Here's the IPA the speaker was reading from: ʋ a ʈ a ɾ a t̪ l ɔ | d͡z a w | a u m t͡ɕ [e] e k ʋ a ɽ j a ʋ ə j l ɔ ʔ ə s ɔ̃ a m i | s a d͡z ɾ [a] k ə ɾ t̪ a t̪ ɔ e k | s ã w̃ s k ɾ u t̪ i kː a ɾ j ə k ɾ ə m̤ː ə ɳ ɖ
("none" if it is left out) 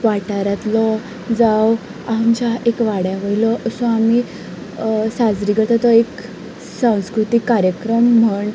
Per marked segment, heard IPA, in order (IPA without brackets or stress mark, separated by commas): a, i